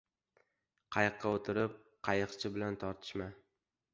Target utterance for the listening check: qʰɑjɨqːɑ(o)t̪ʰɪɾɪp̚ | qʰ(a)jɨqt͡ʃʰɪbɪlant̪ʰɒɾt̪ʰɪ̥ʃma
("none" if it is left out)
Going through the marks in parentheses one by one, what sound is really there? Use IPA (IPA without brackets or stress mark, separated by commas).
o, ɑ